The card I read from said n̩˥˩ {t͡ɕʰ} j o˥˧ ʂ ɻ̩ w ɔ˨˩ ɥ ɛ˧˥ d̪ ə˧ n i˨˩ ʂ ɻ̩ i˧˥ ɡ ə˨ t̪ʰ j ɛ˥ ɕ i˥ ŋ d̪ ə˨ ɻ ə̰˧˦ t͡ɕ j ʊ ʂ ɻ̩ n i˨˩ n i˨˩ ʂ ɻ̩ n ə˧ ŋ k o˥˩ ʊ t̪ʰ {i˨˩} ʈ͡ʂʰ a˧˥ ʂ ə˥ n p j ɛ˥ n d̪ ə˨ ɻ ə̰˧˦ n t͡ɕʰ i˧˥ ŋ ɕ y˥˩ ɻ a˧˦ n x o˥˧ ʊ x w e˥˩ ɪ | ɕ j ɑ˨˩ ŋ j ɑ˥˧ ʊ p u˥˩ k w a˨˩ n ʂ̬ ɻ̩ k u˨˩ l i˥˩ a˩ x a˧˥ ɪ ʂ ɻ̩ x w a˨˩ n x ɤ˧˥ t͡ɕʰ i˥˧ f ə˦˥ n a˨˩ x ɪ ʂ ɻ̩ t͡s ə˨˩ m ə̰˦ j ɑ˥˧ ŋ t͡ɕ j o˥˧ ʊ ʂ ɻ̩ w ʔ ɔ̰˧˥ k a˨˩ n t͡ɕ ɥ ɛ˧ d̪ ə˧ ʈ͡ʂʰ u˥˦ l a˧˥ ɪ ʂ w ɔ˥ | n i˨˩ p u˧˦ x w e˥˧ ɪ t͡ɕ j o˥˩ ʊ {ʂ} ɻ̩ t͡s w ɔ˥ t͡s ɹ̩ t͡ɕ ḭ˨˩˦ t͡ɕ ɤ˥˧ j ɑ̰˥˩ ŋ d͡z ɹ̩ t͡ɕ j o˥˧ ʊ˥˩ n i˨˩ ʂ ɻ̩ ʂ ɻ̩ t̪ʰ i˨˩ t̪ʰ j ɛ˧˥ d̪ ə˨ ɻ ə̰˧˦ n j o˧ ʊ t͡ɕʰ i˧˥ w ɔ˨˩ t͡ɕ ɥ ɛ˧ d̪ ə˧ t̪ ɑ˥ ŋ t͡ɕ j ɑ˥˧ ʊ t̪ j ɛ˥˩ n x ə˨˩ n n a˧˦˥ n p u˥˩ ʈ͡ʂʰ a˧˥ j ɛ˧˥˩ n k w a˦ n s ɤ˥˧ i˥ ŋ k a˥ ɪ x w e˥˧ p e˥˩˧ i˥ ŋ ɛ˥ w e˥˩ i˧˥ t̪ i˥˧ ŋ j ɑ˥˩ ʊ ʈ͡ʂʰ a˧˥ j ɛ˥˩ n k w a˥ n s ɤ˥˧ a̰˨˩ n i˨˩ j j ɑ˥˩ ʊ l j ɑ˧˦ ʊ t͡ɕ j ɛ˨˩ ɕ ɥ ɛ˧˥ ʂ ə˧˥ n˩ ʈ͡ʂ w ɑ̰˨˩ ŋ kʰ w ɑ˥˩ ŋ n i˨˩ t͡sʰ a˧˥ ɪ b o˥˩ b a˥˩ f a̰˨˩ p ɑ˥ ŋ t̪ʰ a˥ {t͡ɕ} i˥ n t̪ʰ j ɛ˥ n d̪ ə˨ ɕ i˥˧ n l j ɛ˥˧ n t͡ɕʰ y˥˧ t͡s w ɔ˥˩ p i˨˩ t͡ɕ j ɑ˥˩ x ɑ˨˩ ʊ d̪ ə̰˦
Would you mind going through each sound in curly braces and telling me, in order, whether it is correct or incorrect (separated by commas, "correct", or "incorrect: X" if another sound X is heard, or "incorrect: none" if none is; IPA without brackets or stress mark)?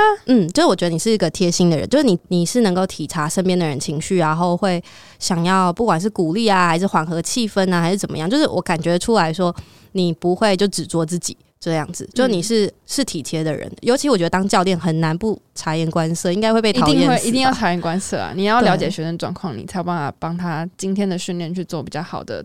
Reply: incorrect: t͡ɕ, correct, incorrect: ʈ͡ʂ, correct